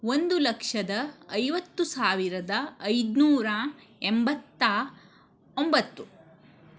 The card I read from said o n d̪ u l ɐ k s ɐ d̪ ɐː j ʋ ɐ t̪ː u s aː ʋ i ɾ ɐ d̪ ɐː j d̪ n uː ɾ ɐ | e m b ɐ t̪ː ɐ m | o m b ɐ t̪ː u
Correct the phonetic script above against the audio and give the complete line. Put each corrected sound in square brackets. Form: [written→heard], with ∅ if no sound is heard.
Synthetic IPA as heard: o n d̪ u l ɐ k [s→ʂ] ɐ d̪ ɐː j ʋ ɐ t̪ː u s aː ʋ i ɾ ɐ d̪ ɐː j d̪ n uː ɾ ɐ | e m b ɐ t̪ː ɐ [m→∅] | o m b ɐ t̪ː u